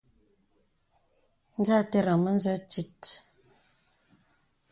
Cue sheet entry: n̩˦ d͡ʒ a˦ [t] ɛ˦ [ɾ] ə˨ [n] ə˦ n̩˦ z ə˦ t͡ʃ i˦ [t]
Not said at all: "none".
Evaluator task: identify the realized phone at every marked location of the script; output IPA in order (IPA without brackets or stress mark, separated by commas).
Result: t, ɾ, m, t